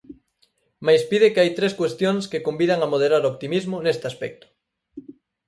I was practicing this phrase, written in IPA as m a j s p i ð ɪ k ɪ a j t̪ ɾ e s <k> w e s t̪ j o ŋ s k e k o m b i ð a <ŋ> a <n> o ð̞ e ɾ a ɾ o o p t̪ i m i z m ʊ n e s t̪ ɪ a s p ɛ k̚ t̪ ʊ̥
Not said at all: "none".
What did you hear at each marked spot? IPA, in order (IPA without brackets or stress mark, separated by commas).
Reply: k, ŋ, m